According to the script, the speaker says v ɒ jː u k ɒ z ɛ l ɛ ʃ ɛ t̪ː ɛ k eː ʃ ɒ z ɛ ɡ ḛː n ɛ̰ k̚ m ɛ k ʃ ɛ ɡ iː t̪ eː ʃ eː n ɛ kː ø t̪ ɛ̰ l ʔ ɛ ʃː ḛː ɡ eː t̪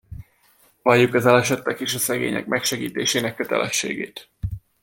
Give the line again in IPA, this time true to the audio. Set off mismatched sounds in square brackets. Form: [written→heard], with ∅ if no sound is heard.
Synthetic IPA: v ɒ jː u k ɒ z ɛ l ɛ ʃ ɛ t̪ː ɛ k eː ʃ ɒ [z→s] ɛ ɡ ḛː [n→ɲ] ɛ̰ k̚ m ɛ k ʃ ɛ ɡ iː t̪ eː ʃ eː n ɛ kː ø t̪ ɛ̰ l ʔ ɛ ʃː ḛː ɡ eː t̪

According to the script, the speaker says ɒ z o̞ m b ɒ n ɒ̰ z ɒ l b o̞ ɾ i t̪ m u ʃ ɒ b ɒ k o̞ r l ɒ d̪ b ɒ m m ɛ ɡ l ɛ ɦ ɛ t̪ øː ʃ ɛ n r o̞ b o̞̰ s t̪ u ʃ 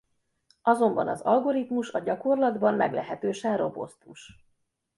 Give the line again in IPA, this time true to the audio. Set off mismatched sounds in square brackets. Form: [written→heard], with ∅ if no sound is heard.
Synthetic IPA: ɒ z o̞ m b ɒ n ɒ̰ z ɒ l [b→ɡ] o̞ ɾ i t̪ m u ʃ ɒ [b→ɟ] ɒ k o̞ r l ɒ d̪ b ɒ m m ɛ ɡ l ɛ ɦ ɛ t̪ øː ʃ ɛ n r o̞ b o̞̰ s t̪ u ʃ

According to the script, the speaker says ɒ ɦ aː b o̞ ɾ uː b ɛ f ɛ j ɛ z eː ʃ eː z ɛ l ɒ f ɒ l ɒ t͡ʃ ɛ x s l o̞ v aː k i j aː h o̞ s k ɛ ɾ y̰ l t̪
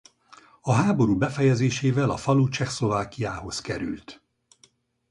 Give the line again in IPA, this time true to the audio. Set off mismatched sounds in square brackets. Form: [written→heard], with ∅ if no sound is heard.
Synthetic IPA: ɒ ɦ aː b o̞ ɾ uː b ɛ f ɛ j ɛ z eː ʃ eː [z→v] ɛ l ɒ f ɒ l [ɒ→u] t͡ʃ ɛ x s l o̞ v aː k i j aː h o̞ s k ɛ ɾ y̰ l t̪

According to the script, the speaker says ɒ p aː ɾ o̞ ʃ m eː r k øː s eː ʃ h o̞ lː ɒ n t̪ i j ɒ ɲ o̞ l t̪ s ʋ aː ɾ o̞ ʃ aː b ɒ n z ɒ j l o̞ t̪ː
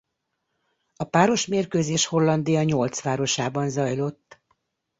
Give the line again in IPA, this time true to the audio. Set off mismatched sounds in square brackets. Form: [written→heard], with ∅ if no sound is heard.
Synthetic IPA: ɒ p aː ɾ o̞ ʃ m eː r k øː [s→z] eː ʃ h o̞ lː ɒ n [t̪→d̪] i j ɒ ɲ o̞ l t̪ s ʋ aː ɾ o̞ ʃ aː b ɒ n z ɒ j l o̞ t̪ː

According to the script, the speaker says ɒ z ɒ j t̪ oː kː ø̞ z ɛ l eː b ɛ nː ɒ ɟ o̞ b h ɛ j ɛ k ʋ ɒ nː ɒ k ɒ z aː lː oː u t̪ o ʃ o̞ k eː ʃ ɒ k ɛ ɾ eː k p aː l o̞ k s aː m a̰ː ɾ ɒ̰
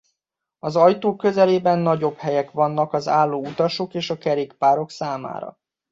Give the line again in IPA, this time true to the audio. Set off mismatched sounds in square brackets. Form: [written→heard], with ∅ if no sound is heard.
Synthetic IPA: ɒ z ɒ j t̪ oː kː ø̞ z ɛ l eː b ɛ nː ɒ ɟ o̞ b h ɛ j ɛ k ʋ ɒ nː ɒ k ɒ z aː lː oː u t̪ [o→ɒ] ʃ o̞ k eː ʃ ɒ k ɛ ɾ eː k p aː [l→ɾ] o̞ k s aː m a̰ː ɾ ɒ̰

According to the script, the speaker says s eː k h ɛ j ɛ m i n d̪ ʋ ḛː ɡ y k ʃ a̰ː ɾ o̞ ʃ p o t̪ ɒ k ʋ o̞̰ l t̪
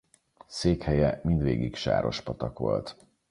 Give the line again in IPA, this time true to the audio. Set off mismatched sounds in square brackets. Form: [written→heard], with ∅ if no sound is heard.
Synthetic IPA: s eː k h ɛ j ɛ m i n d̪ ʋ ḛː ɡ [y→i] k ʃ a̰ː ɾ o̞ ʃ p [o→ɒ] t̪ ɒ k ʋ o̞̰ l t̪

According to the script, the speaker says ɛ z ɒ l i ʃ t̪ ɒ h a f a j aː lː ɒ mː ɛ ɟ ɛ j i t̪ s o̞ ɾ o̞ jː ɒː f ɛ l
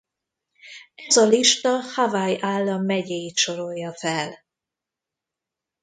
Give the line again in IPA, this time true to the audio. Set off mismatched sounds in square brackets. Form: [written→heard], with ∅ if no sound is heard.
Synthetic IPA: ɛ z ɒ l i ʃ t̪ ɒ h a [f→v] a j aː lː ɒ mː ɛ ɟ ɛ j i t̪ [s→ʃ] o̞ ɾ o̞ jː [ɒː→ɒ] f ɛ l

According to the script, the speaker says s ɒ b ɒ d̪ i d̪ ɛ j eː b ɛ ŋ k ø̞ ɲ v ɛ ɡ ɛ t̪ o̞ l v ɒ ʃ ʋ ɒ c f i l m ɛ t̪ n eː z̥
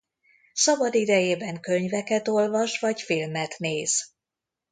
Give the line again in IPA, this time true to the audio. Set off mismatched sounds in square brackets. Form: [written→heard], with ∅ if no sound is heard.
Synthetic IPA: s ɒ b ɒ d̪ i d̪ ɛ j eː b ɛ ŋ k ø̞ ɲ v ɛ [ɡ→k] ɛ t̪ o̞ l v ɒ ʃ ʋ ɒ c f i l m ɛ t̪ n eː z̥

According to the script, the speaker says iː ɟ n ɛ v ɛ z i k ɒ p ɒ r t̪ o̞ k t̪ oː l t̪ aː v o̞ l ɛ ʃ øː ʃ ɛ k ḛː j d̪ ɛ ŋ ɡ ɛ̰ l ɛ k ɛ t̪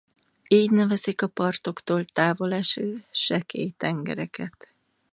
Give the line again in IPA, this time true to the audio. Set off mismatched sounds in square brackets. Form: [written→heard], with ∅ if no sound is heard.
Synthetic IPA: iː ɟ n ɛ v ɛ z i k ɒ p ɒ r t̪ o̞ k t̪ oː l t̪ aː v o̞ l ɛ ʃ øː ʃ ɛ k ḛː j [d̪→t̪] ɛ ŋ ɡ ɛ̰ [l→ɾ] ɛ k ɛ t̪

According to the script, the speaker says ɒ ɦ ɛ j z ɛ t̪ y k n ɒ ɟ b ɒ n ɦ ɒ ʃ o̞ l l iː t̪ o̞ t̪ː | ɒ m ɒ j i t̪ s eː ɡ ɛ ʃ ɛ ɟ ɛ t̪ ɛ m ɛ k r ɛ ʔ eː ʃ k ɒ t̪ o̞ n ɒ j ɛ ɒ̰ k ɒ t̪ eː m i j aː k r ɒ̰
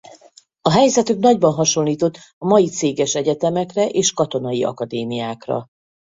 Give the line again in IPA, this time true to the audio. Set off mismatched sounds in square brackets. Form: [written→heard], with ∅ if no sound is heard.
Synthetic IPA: ɒ ɦ ɛ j z ɛ t̪ y k n ɒ ɟ b ɒ n ɦ ɒ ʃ o̞ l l iː t̪ o̞ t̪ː | ɒ m ɒ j i t̪ s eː ɡ ɛ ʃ ɛ ɟ ɛ t̪ ɛ m ɛ k r ɛ ʔ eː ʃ k ɒ t̪ o̞ n ɒ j [ɛ→i] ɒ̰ k ɒ [t̪→d̪] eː m i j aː k r ɒ̰

